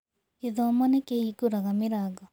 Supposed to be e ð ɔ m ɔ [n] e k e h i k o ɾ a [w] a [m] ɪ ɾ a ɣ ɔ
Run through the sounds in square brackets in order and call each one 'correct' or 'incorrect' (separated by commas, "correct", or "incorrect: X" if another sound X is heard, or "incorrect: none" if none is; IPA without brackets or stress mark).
correct, incorrect: ɣ, correct